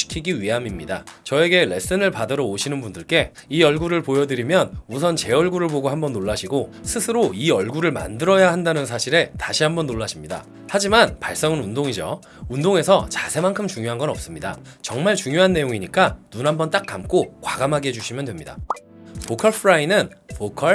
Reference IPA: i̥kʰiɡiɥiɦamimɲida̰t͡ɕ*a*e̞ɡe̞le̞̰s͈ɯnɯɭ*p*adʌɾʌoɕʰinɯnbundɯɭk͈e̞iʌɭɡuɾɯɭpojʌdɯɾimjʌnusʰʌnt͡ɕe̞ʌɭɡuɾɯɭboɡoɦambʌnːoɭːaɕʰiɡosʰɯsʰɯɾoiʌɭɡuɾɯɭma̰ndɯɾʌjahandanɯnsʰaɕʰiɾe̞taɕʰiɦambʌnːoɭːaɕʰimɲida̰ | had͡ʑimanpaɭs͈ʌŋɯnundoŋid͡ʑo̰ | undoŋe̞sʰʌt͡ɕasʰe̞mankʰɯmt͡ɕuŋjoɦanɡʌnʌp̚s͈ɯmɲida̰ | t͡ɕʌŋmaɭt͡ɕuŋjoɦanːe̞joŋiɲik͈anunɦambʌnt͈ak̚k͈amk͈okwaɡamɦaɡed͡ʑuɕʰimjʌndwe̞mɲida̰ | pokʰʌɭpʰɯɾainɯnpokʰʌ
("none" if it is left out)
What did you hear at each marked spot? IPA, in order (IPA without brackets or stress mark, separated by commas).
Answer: ʌ, p